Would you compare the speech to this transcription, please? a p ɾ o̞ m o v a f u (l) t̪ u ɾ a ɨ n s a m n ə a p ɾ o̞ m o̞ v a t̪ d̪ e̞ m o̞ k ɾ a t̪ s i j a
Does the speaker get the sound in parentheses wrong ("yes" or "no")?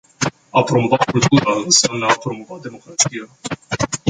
no